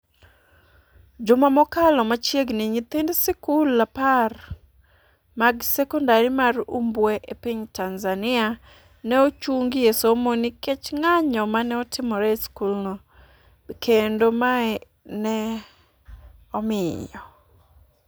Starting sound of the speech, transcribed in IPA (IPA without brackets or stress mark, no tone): d͡ʒ